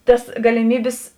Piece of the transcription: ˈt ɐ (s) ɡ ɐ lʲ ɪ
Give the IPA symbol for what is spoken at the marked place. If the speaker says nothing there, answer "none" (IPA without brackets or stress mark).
s